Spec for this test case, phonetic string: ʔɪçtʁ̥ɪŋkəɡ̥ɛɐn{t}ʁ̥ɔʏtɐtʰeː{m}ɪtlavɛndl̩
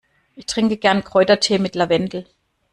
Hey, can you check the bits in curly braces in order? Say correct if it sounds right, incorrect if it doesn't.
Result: incorrect: k, correct

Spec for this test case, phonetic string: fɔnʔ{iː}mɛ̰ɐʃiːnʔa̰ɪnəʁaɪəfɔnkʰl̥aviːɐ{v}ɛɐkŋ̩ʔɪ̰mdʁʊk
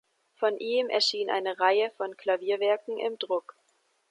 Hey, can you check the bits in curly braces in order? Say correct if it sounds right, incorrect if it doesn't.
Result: correct, correct

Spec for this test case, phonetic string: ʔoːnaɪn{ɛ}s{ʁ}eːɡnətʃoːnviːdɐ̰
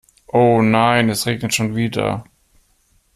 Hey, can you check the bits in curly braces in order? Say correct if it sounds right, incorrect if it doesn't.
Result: correct, correct

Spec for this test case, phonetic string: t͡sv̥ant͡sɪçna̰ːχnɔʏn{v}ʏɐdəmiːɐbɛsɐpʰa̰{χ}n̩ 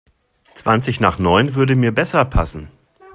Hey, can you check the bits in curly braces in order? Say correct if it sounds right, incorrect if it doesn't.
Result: correct, incorrect: s

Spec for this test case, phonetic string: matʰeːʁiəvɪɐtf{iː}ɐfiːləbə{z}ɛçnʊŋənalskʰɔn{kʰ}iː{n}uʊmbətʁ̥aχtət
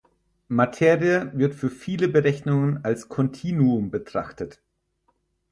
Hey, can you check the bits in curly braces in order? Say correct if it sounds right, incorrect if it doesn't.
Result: incorrect: yː, incorrect: ʁ, incorrect: tʰ, correct

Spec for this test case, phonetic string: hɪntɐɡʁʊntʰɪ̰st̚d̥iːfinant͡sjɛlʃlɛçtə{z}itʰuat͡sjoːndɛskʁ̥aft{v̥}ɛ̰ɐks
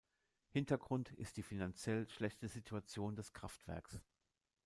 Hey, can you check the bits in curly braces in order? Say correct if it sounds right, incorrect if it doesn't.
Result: correct, correct

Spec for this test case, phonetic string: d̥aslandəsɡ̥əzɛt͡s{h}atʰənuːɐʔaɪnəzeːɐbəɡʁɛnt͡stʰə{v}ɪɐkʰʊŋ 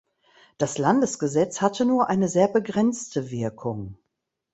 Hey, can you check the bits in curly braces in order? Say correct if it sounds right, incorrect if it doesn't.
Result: correct, correct

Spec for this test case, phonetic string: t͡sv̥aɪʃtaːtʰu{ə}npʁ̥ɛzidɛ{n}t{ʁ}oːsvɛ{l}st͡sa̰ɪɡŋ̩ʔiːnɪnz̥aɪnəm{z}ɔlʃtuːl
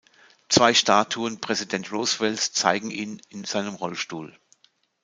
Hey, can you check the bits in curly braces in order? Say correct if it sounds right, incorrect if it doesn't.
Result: correct, correct, correct, correct, incorrect: ʁ

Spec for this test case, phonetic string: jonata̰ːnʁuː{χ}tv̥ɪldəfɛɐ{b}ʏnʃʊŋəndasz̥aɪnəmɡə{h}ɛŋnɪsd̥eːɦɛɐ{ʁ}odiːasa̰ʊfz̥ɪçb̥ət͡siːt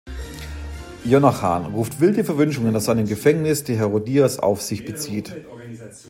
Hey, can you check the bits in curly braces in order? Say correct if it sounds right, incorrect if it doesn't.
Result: incorrect: f, incorrect: v, incorrect: f, correct

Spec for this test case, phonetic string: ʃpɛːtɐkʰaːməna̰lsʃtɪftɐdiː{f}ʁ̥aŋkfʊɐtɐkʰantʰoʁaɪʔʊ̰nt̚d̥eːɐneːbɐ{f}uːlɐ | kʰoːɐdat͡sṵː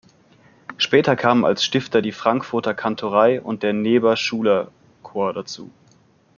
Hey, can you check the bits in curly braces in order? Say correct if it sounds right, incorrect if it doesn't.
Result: correct, incorrect: ʃ

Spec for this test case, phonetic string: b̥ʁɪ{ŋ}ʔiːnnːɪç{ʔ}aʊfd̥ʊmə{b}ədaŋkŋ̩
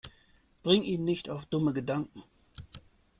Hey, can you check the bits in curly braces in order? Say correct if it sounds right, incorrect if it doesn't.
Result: correct, incorrect: t, incorrect: ɡ

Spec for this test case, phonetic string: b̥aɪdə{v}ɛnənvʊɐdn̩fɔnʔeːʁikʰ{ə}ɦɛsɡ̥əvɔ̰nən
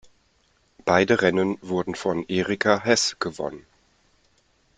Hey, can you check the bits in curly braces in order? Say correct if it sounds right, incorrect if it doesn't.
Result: incorrect: ʁ, incorrect: a

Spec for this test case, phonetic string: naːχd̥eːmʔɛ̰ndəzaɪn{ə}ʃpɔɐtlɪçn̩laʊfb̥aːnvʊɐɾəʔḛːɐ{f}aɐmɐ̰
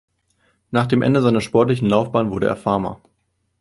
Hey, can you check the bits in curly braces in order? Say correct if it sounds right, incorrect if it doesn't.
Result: incorrect: ɐ, correct

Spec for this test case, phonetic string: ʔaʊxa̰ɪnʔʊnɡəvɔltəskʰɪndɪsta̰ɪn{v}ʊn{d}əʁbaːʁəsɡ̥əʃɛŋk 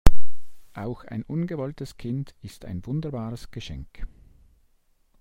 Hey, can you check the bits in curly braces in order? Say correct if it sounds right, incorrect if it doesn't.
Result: correct, correct

